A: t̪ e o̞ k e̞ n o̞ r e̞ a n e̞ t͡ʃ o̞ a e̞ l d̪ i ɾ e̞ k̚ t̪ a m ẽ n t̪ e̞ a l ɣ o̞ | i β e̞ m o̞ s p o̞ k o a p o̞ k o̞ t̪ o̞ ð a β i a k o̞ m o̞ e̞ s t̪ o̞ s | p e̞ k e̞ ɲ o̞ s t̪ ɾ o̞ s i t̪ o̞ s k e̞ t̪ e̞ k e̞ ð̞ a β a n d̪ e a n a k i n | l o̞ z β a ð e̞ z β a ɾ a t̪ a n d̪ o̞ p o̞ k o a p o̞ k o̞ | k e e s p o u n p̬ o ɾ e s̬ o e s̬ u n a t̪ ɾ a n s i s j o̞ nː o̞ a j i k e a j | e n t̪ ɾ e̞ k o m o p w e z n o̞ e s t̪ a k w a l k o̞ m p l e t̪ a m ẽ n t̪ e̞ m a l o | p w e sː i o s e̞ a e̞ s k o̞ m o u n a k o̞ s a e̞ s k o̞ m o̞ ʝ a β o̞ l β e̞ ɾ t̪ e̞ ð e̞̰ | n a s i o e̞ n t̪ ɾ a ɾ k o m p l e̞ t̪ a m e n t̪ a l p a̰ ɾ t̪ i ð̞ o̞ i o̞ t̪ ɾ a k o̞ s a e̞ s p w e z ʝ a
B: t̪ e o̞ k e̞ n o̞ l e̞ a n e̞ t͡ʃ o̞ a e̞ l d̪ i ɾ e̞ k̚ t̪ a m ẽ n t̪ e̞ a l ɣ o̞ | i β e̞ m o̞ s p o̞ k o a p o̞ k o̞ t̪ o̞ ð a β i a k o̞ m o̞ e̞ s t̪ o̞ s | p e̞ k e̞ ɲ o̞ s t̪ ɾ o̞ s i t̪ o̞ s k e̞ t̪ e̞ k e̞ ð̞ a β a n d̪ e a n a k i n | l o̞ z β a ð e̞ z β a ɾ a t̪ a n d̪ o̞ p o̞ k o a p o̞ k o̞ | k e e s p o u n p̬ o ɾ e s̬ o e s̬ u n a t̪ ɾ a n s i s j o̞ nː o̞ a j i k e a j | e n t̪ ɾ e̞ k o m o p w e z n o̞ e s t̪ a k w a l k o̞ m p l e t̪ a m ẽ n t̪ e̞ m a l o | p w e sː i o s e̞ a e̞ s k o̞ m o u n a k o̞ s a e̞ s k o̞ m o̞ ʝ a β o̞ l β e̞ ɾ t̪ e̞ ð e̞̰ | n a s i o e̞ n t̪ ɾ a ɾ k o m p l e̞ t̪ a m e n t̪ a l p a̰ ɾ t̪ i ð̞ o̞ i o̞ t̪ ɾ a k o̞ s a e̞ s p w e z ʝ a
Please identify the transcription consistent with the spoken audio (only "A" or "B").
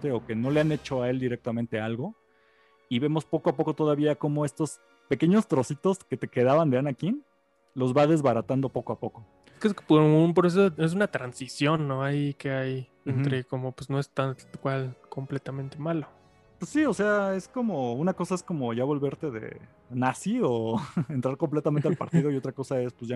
B